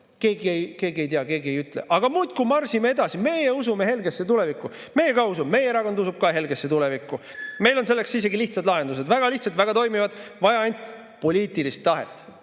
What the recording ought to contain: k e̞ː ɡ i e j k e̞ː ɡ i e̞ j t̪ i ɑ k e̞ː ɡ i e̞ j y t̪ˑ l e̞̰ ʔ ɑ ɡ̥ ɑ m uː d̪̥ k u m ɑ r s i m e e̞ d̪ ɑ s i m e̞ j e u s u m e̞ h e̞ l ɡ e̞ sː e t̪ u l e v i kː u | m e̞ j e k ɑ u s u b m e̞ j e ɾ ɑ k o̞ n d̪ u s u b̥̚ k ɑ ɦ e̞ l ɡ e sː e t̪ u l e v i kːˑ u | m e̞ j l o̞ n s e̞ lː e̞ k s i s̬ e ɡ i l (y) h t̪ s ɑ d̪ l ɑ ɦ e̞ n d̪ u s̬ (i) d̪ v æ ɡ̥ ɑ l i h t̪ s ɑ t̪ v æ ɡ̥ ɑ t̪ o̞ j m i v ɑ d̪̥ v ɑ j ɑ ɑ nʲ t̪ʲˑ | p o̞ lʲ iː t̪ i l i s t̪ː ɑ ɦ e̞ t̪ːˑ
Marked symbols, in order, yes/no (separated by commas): no, no